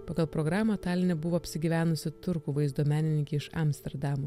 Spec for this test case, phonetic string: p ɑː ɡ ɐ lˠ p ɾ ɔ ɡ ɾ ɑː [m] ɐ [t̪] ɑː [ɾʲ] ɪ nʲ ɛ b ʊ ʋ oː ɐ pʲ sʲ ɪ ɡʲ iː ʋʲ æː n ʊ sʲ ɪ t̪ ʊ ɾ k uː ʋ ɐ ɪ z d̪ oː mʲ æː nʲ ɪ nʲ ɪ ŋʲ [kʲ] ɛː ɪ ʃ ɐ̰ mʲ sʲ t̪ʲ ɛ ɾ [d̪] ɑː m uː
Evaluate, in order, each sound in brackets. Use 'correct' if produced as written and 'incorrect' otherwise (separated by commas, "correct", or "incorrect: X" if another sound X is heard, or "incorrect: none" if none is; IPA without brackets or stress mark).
correct, correct, incorrect: lʲ, correct, correct